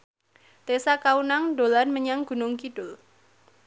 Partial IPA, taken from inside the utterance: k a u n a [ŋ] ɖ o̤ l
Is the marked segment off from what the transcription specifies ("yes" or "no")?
no